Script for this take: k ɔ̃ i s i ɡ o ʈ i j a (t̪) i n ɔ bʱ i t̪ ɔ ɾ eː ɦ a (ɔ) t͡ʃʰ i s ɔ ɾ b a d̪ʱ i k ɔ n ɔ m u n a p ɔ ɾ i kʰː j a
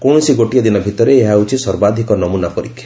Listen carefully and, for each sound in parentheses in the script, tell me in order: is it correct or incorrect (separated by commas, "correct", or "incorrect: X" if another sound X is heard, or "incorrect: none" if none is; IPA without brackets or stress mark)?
incorrect: d̪, incorrect: u